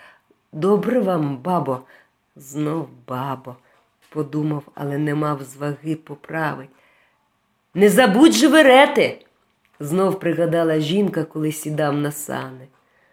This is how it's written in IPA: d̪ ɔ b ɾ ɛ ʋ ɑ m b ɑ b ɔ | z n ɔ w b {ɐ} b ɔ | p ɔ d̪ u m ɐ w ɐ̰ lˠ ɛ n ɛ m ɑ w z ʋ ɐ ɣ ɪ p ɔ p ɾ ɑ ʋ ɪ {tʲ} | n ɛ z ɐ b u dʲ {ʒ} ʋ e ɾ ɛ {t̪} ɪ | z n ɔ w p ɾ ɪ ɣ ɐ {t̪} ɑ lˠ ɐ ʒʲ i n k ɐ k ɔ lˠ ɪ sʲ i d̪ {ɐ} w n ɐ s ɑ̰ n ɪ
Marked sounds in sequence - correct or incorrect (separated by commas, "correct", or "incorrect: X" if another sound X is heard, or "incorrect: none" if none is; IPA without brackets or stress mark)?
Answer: incorrect: ɑ, correct, correct, correct, incorrect: d̪, incorrect: ɑ